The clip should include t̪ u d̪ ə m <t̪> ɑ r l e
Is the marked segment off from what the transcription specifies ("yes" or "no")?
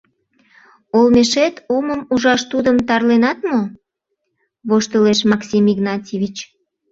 no